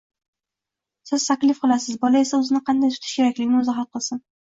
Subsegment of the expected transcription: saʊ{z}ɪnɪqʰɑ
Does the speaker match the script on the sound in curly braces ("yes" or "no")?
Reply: yes